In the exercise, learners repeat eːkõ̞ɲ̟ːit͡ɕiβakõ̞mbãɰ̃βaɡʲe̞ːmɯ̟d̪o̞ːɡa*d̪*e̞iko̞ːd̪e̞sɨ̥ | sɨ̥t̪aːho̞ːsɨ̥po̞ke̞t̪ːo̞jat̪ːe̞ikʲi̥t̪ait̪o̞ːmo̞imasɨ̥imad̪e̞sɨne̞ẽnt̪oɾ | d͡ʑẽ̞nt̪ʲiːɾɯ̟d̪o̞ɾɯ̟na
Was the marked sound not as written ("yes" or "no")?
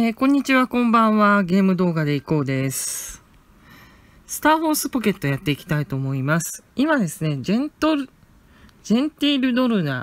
no